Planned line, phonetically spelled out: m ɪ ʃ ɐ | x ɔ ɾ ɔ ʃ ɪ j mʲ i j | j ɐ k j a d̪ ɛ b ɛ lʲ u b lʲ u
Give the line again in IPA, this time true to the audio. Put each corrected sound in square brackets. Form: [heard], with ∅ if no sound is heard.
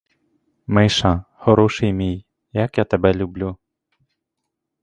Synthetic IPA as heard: m ɪ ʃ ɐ | x ɔ ɾ ɔ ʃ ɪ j mʲ i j | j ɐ k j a [t̪] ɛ b ɛ lʲ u b lʲ u